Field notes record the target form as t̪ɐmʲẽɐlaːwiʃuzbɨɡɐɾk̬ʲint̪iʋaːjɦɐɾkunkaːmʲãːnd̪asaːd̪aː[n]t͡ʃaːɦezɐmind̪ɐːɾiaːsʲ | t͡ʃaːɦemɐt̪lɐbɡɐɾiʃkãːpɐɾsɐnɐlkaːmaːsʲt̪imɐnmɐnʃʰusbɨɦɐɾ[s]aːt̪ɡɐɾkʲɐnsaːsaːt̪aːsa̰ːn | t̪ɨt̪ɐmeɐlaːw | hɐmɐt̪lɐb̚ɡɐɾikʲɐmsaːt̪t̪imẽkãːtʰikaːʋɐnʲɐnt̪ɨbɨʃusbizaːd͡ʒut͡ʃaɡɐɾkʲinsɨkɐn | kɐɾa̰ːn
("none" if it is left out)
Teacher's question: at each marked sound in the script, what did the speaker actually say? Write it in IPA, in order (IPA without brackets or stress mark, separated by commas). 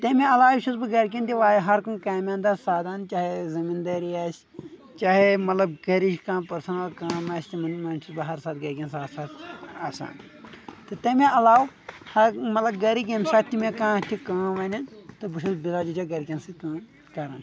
n, s